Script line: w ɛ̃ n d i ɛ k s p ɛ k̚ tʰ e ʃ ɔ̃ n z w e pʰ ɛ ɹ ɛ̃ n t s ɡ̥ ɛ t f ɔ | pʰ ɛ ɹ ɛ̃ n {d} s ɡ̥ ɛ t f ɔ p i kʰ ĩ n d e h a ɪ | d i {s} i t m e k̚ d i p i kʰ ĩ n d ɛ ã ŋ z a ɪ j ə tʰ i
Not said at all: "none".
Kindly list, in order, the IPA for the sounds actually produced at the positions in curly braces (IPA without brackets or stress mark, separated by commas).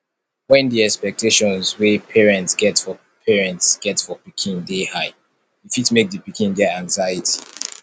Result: t, f